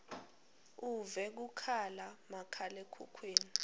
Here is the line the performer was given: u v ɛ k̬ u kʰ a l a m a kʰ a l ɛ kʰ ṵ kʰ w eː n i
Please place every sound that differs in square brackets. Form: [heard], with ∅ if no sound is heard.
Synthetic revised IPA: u v ɛ k̬ u kʰ a l a m a kʰ a l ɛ kʰ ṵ kʰ w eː n i